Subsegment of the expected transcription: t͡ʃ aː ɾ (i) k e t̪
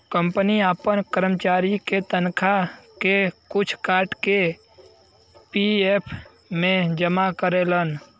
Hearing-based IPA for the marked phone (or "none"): i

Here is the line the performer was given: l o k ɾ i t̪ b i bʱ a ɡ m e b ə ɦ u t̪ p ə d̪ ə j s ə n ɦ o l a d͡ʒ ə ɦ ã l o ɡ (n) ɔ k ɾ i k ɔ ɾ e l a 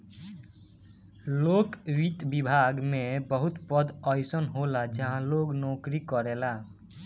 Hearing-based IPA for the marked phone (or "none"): n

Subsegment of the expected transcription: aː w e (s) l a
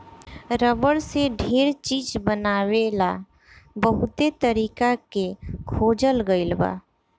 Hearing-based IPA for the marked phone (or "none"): none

